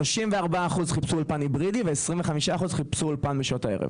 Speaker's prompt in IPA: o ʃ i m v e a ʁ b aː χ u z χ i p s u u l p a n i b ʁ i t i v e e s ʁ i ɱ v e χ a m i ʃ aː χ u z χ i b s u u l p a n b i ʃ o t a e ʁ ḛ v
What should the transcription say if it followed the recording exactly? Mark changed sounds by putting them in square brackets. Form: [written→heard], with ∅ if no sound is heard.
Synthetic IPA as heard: o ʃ i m v e a ʁ b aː χ u z χ i p s u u l p a n i b ʁ i [t→d] i v e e s ʁ i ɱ v e χ a m i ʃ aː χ u z χ i [b→p] s u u l p a n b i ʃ o t a e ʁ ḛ v